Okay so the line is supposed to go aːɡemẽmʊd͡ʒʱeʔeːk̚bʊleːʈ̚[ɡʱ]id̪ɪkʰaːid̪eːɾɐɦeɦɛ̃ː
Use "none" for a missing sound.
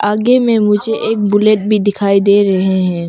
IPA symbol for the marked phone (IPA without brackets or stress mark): bʱ